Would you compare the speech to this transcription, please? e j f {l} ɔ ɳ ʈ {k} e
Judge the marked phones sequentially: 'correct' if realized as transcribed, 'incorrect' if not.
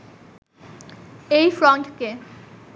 incorrect: ɾ, correct

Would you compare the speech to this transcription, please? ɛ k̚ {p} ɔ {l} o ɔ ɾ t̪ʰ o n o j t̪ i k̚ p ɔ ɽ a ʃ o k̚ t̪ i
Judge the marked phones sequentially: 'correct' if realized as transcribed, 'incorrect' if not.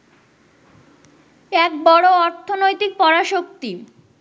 incorrect: b, incorrect: ɽ

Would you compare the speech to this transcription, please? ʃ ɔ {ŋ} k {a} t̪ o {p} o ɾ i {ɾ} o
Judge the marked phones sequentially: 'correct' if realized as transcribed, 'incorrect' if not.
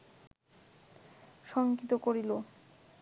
correct, incorrect: i, incorrect: k, incorrect: l

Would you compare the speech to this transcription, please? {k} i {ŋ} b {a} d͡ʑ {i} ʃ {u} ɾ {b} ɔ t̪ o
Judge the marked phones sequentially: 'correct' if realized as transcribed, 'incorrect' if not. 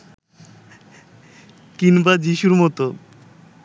correct, incorrect: n, correct, correct, correct, incorrect: m

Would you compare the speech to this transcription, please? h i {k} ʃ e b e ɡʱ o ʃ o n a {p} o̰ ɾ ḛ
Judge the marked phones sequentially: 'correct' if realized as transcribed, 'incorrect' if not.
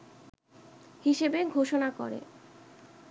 incorrect: none, incorrect: k

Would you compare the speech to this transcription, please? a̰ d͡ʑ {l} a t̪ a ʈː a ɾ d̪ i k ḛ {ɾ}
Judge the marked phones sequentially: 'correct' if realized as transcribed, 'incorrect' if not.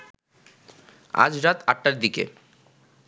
incorrect: ɾ, incorrect: none

